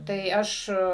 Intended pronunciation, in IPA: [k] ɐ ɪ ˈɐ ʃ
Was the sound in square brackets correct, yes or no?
no